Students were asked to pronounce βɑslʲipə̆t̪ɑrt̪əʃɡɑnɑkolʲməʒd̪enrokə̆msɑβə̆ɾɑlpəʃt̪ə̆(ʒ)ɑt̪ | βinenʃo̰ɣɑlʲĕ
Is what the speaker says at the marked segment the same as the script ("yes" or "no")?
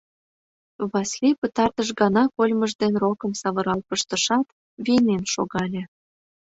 no